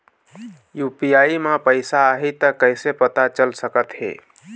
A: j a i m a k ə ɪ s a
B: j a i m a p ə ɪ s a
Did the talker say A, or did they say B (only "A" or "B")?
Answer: B